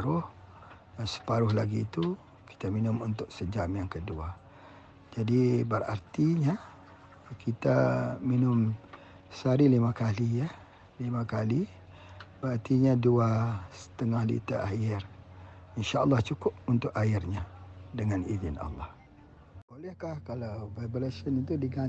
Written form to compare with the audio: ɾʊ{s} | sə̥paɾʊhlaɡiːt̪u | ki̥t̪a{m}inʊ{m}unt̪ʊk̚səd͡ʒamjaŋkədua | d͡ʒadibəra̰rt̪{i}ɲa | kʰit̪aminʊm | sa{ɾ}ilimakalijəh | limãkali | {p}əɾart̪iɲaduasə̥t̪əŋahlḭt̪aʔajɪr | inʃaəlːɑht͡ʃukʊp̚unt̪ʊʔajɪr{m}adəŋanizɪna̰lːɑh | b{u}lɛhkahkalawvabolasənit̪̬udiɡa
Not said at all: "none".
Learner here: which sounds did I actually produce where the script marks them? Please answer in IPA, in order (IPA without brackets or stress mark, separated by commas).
h, m, m, i, ɾ, b, ɲ, o